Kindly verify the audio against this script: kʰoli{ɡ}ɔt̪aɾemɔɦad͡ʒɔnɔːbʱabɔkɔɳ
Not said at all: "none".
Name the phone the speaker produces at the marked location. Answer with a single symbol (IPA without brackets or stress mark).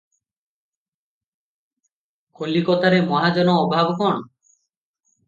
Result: k